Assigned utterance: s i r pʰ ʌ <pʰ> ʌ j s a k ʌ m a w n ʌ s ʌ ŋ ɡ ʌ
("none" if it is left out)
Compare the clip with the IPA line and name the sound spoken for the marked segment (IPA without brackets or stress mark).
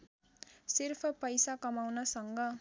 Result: p